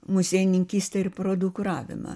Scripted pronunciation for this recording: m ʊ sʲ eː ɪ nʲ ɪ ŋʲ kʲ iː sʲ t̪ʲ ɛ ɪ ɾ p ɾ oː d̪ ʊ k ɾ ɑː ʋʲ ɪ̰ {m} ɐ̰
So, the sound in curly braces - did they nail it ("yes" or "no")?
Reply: yes